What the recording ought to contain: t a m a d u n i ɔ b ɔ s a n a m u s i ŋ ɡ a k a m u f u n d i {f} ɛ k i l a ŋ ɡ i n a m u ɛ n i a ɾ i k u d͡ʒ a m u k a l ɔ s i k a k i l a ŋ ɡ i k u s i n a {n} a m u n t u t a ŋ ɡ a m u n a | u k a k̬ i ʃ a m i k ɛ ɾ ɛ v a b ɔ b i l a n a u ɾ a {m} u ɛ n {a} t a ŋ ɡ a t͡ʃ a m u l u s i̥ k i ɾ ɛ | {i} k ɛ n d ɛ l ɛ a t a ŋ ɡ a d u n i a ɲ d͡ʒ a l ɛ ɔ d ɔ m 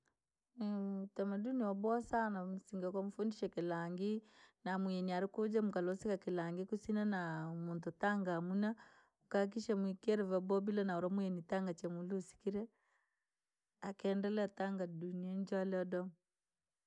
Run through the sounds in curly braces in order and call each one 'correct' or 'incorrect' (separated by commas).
incorrect, correct, correct, incorrect, incorrect